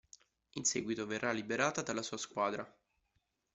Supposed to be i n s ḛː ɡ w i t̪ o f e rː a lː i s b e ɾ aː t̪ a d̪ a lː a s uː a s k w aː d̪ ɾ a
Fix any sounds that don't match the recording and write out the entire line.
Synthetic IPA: i n s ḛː ɡ w i t̪ o v e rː a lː i b e ɾ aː t̪ a d̪ a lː a s uː a s k w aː d̪ ɾ a